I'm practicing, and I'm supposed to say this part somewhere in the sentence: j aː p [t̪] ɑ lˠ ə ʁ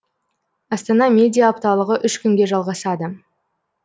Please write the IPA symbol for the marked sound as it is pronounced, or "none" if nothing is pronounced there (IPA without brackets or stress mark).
t̪